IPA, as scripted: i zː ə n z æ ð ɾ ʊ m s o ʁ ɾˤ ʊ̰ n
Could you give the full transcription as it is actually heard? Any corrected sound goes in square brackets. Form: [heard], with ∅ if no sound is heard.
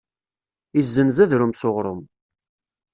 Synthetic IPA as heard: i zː ə n z æ ð ɾ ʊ m s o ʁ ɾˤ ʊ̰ [m]